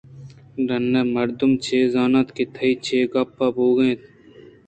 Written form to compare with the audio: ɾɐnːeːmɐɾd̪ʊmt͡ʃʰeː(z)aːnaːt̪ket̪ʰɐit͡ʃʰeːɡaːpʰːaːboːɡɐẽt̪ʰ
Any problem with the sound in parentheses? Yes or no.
no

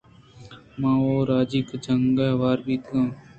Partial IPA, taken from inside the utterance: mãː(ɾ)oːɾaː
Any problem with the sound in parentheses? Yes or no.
yes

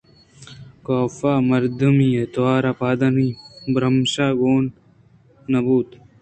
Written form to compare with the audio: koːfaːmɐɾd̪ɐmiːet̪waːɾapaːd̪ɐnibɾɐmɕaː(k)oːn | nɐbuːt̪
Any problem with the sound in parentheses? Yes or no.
yes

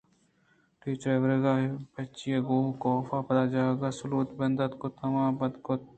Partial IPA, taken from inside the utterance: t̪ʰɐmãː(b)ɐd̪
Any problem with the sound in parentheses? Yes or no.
no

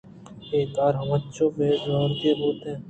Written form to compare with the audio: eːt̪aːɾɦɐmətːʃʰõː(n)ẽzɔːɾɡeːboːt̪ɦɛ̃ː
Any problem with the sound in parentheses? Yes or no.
yes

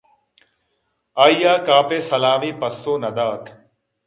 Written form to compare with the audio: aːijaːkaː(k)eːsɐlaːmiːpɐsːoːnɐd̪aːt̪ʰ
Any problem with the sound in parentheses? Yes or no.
yes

